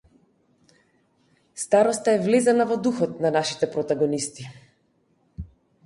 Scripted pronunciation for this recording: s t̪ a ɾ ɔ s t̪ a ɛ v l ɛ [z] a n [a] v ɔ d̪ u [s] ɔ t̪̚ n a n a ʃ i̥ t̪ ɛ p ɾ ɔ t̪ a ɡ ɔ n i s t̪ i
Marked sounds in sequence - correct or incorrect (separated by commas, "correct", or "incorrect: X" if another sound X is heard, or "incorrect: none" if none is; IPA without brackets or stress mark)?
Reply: correct, correct, incorrect: x